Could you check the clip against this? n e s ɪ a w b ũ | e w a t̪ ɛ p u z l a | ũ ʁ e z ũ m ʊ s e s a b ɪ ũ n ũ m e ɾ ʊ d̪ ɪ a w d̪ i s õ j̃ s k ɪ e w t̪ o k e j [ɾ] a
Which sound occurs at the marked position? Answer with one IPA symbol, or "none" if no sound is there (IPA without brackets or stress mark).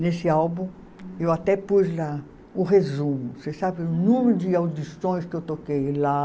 l